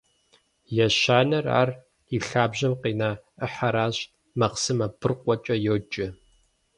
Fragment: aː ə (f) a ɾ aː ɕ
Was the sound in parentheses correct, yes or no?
no